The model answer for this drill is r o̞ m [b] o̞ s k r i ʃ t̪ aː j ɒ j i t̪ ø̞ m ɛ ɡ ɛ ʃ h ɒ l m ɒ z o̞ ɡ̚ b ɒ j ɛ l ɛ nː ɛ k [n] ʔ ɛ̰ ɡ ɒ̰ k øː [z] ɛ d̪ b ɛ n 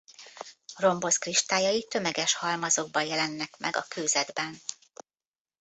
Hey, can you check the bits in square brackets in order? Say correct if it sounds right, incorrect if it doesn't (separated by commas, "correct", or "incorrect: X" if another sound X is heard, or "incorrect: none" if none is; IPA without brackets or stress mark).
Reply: correct, incorrect: m, correct